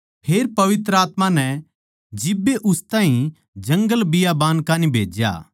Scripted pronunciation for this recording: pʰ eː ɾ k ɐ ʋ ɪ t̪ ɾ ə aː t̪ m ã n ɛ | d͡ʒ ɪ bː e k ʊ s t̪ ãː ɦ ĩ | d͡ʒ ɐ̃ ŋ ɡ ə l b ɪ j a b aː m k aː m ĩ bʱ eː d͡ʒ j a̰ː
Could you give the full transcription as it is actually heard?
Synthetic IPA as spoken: pʰ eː ɾ p ɐ ʋ ɪ t̪ ɾ ə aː t̪ m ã n ɛ | d͡ʒ ɪ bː e ʔ ʊ s t̪ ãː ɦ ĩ | d͡ʒ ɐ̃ ŋ ɡ ə l b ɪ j a b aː n k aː n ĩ bʱ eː d͡ʒ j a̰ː